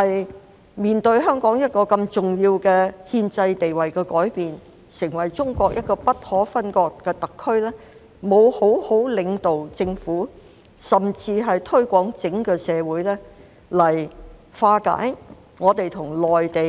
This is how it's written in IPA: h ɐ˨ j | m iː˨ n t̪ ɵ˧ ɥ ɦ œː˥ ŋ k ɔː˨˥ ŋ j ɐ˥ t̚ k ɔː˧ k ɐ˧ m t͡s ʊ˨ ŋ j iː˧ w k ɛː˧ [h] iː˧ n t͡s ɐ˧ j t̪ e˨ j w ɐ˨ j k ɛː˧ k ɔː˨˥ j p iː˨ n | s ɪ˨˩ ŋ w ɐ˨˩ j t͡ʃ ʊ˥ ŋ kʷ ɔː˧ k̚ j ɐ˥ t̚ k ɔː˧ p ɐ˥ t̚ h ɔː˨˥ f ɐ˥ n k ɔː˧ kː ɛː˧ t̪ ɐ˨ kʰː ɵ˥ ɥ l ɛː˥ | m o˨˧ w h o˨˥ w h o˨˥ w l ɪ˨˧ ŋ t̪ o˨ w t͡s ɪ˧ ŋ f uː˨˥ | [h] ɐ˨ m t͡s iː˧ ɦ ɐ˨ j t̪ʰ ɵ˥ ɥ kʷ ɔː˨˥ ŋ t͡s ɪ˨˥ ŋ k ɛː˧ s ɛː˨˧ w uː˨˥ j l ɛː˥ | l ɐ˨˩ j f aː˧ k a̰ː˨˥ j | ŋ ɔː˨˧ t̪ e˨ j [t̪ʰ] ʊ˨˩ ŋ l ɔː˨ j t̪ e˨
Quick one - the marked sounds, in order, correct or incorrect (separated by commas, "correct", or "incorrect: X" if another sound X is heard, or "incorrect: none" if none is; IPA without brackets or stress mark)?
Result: correct, incorrect: s, correct